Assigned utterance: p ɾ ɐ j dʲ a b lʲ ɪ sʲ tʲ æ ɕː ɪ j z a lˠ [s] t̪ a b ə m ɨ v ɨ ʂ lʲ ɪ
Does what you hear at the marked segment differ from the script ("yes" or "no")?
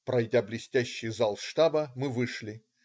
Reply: yes